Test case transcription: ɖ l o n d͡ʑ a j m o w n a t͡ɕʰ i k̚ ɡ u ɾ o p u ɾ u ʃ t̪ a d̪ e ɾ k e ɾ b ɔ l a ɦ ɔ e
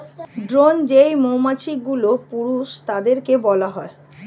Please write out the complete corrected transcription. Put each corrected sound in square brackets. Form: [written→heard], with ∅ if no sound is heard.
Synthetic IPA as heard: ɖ [l→ɾ] o n d͡ʑ [a→e] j m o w [n→m] a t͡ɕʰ i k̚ ɡ u [ɾ→l] o p u ɾ u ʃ t̪ a d̪ e ɾ k e [ɾ→∅] b ɔ l a ɦ ɔ e